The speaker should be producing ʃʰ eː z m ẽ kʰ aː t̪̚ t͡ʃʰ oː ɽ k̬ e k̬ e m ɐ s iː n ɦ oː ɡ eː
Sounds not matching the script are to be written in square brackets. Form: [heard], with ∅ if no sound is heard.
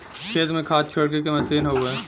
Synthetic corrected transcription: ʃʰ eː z m ẽ kʰ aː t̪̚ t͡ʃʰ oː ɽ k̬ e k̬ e m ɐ s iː n ɦ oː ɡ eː